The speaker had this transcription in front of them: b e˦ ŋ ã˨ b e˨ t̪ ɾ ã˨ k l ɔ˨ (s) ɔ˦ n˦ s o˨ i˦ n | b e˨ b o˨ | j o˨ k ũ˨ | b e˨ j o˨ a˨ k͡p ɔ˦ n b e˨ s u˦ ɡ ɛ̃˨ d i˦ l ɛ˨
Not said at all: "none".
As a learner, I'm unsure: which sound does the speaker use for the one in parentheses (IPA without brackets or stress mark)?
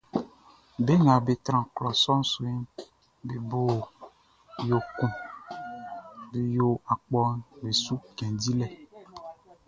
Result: s